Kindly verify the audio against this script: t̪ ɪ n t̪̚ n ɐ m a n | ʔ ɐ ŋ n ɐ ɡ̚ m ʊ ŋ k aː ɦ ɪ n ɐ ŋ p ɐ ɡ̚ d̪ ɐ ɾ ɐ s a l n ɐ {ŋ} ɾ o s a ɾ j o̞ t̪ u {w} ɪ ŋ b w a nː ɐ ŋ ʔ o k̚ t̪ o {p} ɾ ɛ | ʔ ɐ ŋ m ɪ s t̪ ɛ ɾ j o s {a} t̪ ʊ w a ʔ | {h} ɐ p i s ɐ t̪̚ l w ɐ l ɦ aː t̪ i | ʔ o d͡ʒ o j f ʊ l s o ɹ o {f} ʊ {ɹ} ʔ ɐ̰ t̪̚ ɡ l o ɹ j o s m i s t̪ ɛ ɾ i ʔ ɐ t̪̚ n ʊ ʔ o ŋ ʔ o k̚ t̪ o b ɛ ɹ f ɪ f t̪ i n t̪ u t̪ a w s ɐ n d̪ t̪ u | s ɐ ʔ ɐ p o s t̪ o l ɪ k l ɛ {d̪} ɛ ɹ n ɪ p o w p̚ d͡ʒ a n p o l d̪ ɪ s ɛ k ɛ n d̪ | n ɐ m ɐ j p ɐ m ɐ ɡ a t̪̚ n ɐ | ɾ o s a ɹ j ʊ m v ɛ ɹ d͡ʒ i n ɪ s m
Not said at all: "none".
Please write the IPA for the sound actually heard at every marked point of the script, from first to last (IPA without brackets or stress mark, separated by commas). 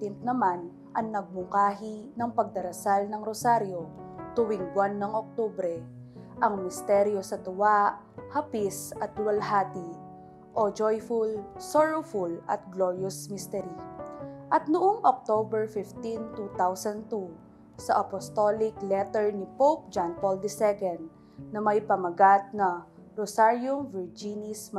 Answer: ŋ, w, b, ɐ, h, f, l, t̪